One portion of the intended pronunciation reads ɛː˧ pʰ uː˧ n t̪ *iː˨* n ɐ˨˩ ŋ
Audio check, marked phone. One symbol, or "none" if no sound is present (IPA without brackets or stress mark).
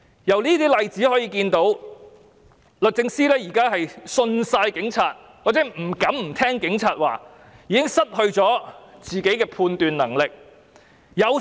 yː˨